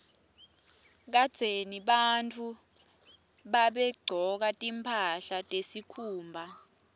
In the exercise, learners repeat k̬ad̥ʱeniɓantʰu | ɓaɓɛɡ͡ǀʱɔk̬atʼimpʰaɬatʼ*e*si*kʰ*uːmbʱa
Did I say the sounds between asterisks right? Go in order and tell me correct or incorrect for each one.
correct, correct

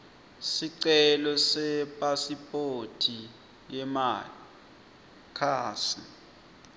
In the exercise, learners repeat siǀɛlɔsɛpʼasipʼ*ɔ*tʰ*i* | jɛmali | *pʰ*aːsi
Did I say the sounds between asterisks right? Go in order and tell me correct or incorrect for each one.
incorrect, correct, incorrect

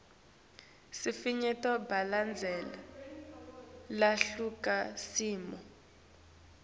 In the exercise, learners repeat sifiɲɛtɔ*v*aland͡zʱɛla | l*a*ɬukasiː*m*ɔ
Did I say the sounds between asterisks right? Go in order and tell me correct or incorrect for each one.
incorrect, correct, correct

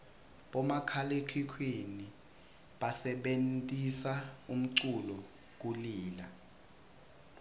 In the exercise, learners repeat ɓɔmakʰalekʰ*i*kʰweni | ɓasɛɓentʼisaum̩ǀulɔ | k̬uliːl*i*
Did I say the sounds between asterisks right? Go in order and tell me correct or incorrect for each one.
correct, incorrect

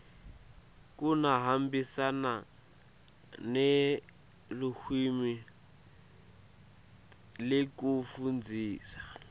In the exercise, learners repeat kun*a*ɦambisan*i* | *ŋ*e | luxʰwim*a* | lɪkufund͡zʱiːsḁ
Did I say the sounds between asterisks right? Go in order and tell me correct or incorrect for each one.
correct, incorrect, incorrect, incorrect

